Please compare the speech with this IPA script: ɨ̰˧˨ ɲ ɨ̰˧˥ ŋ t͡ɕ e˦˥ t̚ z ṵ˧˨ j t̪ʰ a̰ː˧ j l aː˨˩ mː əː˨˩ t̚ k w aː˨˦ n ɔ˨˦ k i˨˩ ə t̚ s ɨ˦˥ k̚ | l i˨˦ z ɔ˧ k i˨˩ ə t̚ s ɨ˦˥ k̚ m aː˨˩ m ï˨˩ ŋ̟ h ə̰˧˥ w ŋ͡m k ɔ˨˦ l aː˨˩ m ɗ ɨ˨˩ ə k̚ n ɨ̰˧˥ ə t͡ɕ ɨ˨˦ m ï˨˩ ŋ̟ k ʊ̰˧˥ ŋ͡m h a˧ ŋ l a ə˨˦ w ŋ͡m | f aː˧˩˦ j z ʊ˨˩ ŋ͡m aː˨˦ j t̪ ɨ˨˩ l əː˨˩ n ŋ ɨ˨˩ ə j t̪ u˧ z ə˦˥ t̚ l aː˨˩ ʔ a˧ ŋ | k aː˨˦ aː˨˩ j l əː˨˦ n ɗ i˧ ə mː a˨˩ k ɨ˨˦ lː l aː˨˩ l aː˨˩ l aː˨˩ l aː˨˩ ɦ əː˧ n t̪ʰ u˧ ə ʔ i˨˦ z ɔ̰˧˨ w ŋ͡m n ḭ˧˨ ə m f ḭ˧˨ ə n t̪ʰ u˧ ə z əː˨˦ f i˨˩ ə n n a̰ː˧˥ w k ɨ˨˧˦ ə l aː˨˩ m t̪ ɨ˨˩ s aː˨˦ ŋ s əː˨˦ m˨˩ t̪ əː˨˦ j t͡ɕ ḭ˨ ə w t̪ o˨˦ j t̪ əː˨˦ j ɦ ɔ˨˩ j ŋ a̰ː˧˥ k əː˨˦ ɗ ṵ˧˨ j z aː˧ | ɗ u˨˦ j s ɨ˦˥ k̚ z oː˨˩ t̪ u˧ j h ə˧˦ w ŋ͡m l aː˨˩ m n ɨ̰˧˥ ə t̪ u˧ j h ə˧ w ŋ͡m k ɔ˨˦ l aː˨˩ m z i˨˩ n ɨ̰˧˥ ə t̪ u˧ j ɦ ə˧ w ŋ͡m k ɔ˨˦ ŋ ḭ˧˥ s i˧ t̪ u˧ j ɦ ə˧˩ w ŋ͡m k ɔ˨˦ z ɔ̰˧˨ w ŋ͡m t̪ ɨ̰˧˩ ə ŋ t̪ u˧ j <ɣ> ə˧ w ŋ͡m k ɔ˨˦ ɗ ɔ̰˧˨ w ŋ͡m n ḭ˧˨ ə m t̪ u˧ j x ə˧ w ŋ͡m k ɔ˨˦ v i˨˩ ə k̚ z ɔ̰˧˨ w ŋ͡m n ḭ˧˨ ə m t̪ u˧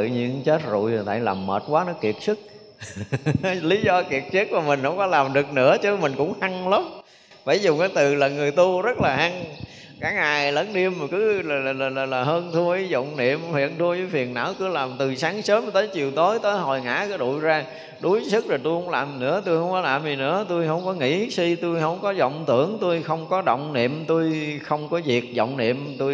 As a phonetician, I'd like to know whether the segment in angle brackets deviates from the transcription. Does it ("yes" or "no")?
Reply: yes